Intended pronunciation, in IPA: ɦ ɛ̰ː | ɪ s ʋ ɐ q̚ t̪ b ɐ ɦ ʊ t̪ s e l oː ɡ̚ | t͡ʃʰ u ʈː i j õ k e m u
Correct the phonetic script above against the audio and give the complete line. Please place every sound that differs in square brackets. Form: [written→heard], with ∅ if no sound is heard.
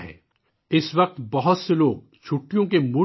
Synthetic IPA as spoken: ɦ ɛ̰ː | ɪ s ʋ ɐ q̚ t̪ b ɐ ɦ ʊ t̪ s e l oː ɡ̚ | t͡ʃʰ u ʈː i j õ k e m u